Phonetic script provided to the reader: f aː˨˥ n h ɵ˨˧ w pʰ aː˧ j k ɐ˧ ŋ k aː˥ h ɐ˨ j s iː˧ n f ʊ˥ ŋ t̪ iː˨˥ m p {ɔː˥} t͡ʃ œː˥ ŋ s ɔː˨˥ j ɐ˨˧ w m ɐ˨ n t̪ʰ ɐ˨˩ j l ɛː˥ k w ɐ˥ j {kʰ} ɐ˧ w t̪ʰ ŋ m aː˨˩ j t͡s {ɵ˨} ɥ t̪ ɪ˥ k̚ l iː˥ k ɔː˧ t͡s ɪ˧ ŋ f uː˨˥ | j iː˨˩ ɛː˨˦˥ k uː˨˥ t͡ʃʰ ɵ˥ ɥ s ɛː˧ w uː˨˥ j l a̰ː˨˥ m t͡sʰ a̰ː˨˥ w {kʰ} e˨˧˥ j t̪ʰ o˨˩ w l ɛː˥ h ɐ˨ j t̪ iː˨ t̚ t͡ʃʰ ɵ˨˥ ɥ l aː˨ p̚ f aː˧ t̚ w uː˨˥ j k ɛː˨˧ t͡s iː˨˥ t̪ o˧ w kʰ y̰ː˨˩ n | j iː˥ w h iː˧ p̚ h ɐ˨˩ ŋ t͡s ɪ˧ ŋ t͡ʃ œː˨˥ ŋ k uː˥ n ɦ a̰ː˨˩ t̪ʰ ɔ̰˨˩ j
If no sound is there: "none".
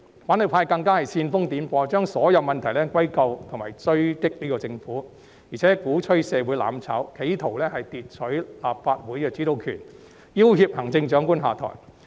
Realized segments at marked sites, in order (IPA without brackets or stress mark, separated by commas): ɔː˧, k, ɵ˥, kʰ